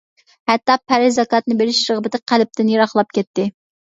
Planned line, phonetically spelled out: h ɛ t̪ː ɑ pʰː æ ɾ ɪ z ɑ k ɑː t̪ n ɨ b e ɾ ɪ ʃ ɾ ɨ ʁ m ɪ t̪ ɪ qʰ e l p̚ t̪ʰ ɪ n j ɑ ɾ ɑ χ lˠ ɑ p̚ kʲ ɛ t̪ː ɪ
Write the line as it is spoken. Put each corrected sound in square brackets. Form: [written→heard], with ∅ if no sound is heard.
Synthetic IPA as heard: h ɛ t̪ː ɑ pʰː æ ɾ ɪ z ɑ k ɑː t̪ n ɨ b e ɾ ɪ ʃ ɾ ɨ ʁ [m→b] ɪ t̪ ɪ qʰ [e→æ] l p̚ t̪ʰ ɪ n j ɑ ɾ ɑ χ lˠ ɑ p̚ kʲ ɛ t̪ː ɪ